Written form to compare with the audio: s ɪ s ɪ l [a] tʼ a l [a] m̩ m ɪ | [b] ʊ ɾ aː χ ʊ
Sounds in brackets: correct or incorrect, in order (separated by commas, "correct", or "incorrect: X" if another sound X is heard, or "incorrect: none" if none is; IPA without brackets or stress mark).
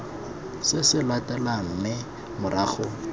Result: correct, correct, incorrect: m